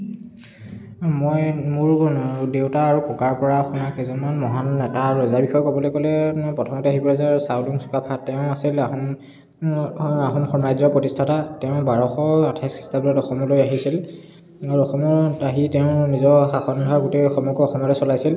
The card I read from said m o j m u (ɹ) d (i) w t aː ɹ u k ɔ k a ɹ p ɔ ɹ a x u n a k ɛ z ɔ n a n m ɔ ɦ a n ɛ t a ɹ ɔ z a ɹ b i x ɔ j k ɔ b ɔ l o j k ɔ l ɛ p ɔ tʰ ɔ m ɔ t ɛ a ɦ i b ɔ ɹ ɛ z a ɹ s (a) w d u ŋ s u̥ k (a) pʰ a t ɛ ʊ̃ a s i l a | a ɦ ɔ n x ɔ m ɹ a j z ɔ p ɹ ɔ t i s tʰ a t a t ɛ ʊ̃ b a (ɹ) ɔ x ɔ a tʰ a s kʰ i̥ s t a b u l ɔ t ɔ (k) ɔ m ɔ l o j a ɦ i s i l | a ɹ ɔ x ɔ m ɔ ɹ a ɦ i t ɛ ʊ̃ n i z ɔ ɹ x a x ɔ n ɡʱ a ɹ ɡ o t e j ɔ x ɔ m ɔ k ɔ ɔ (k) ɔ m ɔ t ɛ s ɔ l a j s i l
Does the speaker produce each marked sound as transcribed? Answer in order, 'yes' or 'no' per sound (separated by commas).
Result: yes, no, yes, yes, yes, no, no